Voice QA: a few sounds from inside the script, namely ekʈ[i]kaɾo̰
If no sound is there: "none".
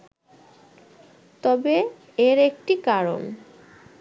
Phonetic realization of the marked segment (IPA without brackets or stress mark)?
i